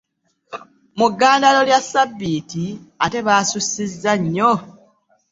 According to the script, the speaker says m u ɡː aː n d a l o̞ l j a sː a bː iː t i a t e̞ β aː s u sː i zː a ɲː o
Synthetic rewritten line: m u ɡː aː n d a l o̞ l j a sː a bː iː t i a t e̞ β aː s u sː i zː a ɲː o